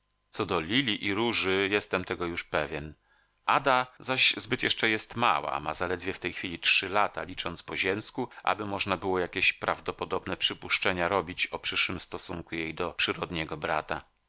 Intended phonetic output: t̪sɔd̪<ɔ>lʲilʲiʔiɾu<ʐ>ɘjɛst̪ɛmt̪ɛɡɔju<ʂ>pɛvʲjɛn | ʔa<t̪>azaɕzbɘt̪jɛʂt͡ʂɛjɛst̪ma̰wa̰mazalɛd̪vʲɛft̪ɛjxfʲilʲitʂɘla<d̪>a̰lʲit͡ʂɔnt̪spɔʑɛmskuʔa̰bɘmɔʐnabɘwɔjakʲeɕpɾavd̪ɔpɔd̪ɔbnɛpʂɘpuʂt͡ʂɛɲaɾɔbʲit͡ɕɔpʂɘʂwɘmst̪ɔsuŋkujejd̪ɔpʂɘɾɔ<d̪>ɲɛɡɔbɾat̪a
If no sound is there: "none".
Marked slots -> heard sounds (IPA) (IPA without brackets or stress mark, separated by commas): ɔ, ʐ, ʂ, d̪, t̪, d̪